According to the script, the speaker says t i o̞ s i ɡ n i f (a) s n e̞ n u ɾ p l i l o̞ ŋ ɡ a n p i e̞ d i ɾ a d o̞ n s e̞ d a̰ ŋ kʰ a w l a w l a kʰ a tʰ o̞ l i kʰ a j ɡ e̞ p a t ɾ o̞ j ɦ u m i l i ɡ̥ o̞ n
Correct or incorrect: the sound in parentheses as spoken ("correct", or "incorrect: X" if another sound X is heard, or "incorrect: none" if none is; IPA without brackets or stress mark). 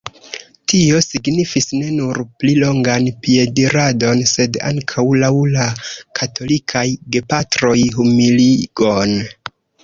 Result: incorrect: i